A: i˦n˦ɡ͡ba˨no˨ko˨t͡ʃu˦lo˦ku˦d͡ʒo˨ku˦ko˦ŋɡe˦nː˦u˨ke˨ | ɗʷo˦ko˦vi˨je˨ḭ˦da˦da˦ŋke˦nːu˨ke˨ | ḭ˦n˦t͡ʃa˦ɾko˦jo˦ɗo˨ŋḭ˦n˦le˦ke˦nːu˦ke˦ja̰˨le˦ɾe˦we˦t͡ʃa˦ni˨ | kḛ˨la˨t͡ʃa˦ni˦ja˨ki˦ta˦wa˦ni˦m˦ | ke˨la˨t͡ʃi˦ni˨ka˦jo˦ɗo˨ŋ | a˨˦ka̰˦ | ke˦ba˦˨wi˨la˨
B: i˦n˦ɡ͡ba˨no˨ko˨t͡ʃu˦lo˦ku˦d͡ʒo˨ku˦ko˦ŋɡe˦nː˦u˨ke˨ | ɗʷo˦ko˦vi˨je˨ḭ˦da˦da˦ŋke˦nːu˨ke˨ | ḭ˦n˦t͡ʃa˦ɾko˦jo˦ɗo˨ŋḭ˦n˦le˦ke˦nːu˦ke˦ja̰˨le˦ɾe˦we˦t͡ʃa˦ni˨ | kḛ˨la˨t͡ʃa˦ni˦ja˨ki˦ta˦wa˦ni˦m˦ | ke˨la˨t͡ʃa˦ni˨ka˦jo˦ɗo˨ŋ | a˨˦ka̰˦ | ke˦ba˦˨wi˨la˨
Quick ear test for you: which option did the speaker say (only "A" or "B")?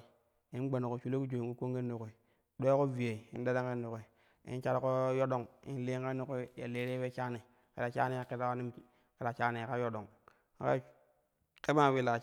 B